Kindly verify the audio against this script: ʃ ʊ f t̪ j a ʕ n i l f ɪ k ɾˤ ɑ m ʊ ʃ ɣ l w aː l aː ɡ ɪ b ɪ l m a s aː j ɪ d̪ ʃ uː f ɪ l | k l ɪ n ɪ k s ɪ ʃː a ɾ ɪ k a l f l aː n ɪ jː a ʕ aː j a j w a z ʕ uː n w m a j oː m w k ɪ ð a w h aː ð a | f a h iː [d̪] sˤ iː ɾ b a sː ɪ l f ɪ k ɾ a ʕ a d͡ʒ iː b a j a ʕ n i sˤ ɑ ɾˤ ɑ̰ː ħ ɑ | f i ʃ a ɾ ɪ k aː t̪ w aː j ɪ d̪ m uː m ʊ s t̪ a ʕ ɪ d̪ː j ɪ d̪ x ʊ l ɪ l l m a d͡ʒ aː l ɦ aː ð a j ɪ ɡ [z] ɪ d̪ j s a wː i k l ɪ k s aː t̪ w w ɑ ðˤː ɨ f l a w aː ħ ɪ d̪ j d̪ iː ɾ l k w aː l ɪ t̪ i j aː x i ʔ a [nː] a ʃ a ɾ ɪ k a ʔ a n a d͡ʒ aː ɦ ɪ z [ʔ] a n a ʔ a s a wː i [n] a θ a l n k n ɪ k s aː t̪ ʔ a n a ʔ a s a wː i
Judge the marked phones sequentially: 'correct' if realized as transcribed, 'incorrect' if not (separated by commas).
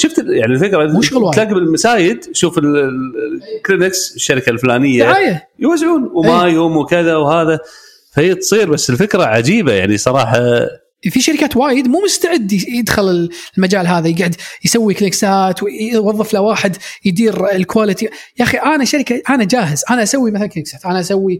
incorrect, incorrect, incorrect, correct, incorrect